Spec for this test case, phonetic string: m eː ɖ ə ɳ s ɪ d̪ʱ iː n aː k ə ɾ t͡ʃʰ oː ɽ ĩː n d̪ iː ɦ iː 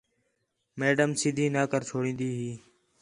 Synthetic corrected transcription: m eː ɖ ə m s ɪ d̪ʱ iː n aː k ə ɾ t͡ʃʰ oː ɽ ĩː n d̪ iː ɦ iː